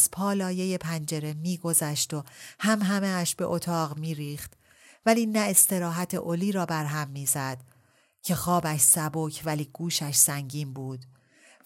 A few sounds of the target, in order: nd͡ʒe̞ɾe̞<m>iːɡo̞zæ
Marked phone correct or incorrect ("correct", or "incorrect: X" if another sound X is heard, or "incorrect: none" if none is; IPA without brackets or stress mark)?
correct